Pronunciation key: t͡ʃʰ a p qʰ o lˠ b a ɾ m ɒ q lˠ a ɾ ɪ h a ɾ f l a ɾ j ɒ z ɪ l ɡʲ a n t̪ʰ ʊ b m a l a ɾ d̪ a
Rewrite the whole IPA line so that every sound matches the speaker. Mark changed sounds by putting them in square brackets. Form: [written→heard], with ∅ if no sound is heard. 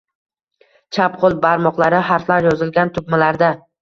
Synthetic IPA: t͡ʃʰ a p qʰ o lˠ b a ɾ m ɒ q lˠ a ɾ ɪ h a ɾ f l a ɾ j ɒ z ɪ l ɡʲ a n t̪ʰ ʊ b m a l a ɾ d̪ a

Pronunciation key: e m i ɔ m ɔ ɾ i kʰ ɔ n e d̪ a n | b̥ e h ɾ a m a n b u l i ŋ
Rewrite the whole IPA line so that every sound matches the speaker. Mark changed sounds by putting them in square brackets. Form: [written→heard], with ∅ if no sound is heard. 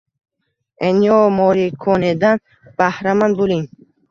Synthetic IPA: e [m→n] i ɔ m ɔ ɾ i kʰ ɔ n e d̪ a n | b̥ [e→a] h ɾ a m a n b u l i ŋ

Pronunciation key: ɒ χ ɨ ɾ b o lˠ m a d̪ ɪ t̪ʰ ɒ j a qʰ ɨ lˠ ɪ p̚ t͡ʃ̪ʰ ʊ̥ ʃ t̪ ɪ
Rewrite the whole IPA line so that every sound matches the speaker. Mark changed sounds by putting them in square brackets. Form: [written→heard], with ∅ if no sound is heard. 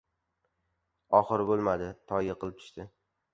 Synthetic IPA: ɒ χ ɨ ɾ b o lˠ m a d̪ ɪ t̪ʰ ɒ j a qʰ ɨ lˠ ɪ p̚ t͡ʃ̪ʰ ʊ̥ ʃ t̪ ɪ

